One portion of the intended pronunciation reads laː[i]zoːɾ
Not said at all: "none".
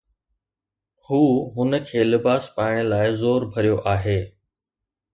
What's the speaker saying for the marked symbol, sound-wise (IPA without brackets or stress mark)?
ɪ